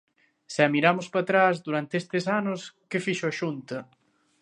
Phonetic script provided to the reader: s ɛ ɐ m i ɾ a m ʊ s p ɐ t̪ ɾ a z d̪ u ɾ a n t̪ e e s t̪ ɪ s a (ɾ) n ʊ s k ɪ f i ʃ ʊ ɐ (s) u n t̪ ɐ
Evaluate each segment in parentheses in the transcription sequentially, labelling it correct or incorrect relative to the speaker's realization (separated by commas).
incorrect, incorrect